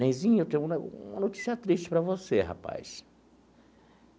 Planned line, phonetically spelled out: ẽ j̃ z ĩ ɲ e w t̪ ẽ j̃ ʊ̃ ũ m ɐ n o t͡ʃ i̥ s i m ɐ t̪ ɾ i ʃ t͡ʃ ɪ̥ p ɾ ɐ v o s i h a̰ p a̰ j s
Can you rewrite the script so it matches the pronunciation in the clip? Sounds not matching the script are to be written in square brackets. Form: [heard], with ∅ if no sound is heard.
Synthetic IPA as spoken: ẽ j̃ z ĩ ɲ e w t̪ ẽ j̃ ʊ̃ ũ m ɐ n o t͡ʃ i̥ s i [∅] ɐ t̪ ɾ i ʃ t͡ʃ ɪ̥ p ɾ ɐ v o s [e] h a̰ p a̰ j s